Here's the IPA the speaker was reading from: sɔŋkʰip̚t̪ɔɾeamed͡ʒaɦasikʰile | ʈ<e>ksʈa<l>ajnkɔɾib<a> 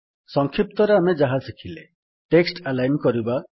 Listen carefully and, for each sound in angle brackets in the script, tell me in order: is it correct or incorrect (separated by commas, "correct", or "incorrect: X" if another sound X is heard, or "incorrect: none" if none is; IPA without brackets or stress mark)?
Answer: correct, correct, correct